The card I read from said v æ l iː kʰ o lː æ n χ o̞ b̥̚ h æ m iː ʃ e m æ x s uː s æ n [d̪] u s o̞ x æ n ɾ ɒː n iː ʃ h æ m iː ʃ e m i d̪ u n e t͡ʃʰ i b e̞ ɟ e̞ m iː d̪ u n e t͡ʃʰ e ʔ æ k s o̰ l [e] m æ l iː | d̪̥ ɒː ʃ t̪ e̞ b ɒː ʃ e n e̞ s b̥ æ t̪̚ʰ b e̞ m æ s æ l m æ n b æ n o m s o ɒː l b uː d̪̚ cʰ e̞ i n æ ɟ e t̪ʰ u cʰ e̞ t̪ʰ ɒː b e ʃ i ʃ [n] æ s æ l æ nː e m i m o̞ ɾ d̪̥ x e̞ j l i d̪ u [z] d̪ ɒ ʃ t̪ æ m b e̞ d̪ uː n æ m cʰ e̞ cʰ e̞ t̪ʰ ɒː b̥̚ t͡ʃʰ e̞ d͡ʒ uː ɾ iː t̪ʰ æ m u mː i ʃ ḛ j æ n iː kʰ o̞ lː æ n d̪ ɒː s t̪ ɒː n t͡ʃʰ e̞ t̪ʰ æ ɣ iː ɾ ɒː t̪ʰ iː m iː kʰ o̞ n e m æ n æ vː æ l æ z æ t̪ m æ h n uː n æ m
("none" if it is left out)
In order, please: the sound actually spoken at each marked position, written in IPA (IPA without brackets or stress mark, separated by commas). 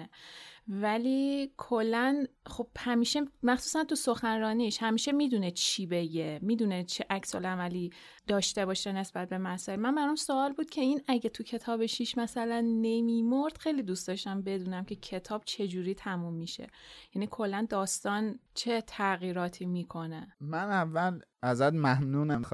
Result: t̪, æ, m, s